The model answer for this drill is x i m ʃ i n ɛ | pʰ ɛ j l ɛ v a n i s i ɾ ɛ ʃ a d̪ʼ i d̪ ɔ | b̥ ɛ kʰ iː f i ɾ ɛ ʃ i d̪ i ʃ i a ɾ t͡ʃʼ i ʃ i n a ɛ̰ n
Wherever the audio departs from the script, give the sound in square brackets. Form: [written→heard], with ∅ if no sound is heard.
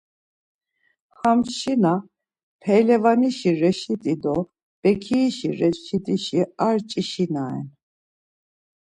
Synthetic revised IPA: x [i→a] m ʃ i n [ɛ→a] | pʰ ɛ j l ɛ v a n i [s→ʃ] i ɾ ɛ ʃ [a→i] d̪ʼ i d̪ ɔ | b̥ ɛ kʰ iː [f→ʃ] i ɾ ɛ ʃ i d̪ i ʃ i a ɾ t͡ʃʼ i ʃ i n a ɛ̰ n